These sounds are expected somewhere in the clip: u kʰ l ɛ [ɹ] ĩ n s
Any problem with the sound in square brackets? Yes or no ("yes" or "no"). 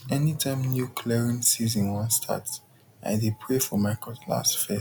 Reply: no